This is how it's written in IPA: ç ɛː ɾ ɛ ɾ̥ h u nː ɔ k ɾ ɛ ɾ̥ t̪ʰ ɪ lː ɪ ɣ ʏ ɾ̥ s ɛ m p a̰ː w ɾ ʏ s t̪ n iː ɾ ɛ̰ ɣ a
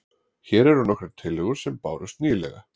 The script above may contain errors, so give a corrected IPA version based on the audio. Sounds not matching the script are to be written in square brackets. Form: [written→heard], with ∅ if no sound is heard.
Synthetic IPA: ç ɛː ɾ ɛ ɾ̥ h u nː ɔ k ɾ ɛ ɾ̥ t̪ʰ ɪ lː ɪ ɣ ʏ ɾ̥ s ɛ m p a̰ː w ɾ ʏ s t̪ n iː [ɾ→l] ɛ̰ ɣ a